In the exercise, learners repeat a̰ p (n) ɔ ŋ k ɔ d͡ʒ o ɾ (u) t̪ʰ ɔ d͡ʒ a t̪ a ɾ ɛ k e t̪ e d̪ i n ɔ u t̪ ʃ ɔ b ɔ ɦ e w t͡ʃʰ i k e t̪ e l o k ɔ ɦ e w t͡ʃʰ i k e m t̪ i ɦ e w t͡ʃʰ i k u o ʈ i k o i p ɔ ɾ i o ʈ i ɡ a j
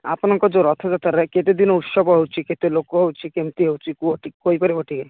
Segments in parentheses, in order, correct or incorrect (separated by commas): correct, incorrect